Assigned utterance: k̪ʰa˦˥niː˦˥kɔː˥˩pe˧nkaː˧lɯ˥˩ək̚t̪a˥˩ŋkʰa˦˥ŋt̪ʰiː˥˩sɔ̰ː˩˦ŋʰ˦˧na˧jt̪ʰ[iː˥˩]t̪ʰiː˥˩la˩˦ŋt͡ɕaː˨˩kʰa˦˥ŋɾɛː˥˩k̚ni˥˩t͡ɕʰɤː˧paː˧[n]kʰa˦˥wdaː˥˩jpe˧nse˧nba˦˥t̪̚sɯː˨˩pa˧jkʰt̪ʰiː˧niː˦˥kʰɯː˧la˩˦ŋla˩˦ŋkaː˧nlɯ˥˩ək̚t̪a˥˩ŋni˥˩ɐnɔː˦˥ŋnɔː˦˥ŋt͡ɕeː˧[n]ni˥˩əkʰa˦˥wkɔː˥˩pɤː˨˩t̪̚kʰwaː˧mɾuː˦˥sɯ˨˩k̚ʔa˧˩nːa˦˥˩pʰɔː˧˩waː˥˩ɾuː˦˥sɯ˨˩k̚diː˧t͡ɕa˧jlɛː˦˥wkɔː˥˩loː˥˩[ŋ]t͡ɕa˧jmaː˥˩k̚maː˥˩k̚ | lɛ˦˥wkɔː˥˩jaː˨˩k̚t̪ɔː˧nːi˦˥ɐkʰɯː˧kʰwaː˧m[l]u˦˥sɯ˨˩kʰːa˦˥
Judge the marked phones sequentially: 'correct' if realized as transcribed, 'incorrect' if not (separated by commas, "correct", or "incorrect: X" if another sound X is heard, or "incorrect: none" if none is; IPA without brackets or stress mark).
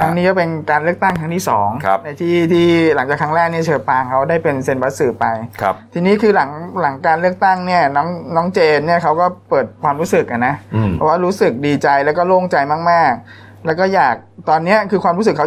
correct, incorrect: ŋ, correct, correct, incorrect: ɾ